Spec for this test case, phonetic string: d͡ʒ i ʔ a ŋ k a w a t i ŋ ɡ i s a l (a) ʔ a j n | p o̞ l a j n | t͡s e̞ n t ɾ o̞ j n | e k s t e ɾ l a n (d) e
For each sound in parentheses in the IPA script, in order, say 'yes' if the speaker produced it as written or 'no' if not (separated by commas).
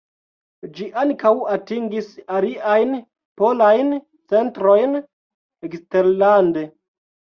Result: no, yes